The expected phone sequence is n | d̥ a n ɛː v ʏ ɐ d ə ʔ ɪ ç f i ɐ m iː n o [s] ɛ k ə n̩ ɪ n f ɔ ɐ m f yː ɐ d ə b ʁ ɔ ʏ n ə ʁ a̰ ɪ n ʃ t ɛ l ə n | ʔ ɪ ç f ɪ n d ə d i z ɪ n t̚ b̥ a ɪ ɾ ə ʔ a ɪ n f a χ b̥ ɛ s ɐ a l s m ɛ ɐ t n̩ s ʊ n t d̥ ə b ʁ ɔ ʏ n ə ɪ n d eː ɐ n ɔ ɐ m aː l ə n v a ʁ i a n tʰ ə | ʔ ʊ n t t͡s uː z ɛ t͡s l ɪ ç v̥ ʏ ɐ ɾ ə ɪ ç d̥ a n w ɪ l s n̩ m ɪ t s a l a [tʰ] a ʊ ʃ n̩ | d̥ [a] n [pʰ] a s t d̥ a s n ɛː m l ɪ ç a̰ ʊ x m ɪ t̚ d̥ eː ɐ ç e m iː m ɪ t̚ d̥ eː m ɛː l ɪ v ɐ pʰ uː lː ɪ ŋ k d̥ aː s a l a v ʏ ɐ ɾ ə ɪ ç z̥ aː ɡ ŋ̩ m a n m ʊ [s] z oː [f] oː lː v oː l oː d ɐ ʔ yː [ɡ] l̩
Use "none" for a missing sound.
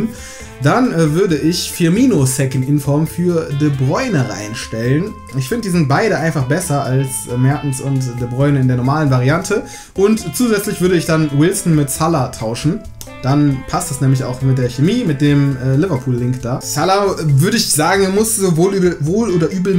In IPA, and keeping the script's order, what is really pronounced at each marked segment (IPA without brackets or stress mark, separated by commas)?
s, tʰ, a, pʰ, s, v, b